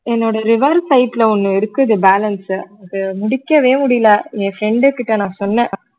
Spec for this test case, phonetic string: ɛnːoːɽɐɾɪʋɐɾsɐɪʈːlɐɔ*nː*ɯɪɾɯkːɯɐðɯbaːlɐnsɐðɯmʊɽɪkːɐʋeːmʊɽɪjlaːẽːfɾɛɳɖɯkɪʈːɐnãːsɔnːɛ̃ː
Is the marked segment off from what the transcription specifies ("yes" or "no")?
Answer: no